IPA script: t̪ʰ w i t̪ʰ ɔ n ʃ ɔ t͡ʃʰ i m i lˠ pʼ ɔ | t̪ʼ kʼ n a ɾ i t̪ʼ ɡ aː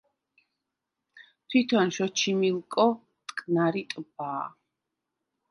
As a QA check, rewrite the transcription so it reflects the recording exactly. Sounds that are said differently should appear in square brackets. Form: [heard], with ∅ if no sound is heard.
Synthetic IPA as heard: t̪ʰ w i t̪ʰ ɔ n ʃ ɔ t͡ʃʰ i m i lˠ [kʼ] ɔ | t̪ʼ kʼ n a ɾ i t̪ʼ [b] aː